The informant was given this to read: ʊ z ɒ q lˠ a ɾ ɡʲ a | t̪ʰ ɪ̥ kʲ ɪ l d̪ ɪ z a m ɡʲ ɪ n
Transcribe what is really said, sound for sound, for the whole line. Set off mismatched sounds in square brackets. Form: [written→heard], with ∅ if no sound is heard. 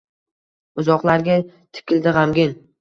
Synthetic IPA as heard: ʊ z ɒ q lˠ a ɾ ɡʲ a | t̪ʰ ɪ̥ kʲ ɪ l d̪ ɪ [z→ʁ] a m ɡʲ ɪ n